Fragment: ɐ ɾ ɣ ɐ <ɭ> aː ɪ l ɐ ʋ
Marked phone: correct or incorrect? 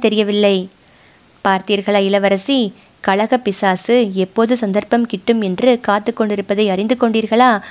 correct